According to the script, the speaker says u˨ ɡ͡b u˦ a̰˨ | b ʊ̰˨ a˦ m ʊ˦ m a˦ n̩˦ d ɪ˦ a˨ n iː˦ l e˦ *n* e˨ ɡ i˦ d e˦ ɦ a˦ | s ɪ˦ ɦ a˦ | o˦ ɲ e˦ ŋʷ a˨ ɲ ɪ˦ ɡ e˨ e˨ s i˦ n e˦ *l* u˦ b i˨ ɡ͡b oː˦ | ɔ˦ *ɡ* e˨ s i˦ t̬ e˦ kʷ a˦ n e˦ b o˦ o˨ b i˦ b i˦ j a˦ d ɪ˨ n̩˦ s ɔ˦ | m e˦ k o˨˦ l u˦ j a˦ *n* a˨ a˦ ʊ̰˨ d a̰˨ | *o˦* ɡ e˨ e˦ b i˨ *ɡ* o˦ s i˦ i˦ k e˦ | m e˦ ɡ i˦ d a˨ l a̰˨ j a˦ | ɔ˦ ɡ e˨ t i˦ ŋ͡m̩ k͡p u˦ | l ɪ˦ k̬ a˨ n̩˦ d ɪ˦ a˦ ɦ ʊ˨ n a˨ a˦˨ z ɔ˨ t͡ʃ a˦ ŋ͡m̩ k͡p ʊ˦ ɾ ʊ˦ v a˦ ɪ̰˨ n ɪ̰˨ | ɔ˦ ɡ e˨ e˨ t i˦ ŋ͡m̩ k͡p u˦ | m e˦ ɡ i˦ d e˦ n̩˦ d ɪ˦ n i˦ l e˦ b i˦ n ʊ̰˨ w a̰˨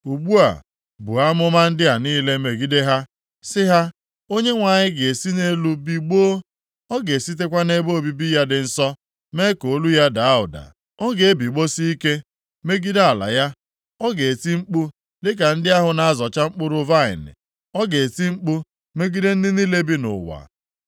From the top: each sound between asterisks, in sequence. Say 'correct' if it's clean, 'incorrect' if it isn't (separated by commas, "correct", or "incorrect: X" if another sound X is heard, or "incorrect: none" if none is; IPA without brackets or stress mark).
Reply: incorrect: m, correct, correct, incorrect: d, incorrect: ɔ˦, incorrect: ɡ͡b